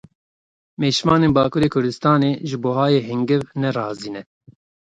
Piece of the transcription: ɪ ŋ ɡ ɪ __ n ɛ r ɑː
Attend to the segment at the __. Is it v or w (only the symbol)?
v